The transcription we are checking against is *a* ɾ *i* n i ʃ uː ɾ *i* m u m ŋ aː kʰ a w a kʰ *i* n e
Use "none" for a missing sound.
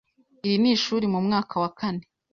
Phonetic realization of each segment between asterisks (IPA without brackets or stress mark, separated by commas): i, i, i, a